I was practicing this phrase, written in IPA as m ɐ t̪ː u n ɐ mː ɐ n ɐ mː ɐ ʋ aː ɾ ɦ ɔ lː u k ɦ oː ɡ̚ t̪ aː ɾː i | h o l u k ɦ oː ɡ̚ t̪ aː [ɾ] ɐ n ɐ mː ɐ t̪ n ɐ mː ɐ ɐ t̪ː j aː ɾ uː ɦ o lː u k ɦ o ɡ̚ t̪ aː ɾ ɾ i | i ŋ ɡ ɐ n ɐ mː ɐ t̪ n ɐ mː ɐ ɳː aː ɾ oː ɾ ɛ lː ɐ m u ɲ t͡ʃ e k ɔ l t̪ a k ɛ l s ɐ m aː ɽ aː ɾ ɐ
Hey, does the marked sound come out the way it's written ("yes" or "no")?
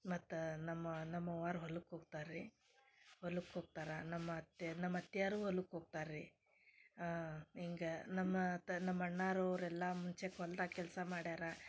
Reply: yes